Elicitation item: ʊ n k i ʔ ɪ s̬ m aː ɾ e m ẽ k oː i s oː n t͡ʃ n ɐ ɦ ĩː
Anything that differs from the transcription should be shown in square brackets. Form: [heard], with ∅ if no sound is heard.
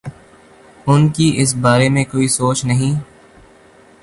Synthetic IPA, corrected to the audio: ʊ n k i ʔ ɪ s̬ [b] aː ɾ e m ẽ k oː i s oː [∅] t͡ʃ n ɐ ɦ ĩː